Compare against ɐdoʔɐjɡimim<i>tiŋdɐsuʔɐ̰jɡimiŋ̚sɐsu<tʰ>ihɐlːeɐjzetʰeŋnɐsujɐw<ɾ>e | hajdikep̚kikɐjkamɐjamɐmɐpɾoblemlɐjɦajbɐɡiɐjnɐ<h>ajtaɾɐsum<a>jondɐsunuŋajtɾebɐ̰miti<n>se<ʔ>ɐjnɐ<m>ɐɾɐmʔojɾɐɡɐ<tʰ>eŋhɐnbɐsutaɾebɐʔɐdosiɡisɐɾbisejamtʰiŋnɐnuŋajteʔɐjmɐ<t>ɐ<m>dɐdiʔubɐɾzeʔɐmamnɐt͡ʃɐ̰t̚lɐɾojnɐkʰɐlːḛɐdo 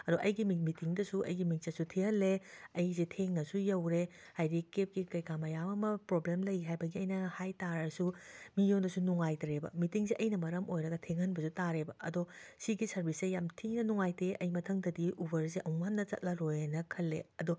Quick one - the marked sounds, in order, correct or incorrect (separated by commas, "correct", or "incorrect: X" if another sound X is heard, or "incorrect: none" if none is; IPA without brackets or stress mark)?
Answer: correct, correct, correct, correct, incorrect: i, incorrect: ŋ, correct, correct, correct, incorrect: tʰ, incorrect: ŋ